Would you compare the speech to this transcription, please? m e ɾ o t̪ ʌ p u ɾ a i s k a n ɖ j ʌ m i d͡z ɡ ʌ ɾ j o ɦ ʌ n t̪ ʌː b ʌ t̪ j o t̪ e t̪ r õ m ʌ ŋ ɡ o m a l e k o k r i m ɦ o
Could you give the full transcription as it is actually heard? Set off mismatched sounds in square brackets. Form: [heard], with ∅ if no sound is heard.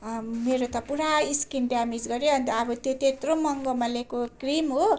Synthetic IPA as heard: m e ɾ o t̪ ʌ p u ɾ a i s k [i] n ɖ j [a] m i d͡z ɡ ʌ ɾ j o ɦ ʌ n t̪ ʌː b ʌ t̪ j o t̪ e t̪ r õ m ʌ ŋ ɡ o m a l e k o k r i m ɦ o